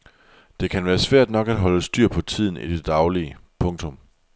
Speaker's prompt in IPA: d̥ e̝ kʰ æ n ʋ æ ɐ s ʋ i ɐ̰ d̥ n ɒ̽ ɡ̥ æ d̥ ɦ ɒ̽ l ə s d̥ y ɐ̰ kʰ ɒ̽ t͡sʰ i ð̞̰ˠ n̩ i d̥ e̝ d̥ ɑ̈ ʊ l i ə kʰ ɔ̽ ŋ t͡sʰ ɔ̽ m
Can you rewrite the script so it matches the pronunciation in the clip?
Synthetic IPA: d̥ e̝ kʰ æ n ʋ æː ɐ s ʋ æ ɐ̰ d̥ n ɒ̽ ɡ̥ æ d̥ ɦ ɒ̽ l ə s d̥ y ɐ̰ pʰ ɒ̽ t͡sʰ i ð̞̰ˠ n̩ i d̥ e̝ d̥ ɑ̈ ʊ l i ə pʰ ɔ̽ ŋ t͡sʰ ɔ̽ m